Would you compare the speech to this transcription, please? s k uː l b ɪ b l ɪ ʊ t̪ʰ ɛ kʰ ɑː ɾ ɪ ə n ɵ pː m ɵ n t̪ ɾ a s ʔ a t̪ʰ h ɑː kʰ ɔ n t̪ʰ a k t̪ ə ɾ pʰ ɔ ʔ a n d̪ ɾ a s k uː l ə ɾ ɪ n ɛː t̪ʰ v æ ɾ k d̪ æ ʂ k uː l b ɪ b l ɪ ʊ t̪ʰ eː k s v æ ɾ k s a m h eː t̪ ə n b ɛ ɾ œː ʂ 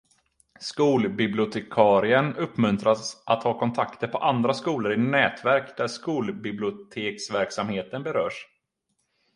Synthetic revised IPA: s k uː l b ɪ b l ɪ ʊ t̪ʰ ɛ kʰ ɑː ɾ ɪ ə n ɵ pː m ɵ n t̪ ɾ a s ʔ a t̪ h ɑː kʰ ɔ n t̪ʰ a k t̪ ə ɾ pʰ ɔ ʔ a n d̪ ɾ a s k uː l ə ɾ ɪ n ɛː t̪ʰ v æ ɾ k d̪ æ ʂ k uː l b ɪ b l ɪ ʊ t̪ʰ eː k s v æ ɾ k s a m h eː t̪ ə n b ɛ ɾ œː ʂ